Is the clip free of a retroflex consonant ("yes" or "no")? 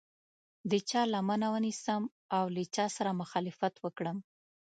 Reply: no